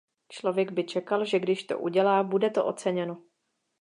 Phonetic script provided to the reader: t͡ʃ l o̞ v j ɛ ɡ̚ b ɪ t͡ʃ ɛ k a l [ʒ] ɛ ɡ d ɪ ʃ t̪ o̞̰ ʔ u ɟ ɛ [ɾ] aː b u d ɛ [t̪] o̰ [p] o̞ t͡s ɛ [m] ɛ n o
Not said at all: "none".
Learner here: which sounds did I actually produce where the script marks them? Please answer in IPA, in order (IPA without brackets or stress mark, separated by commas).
ʒ, l, t̪, ʔ, ɲ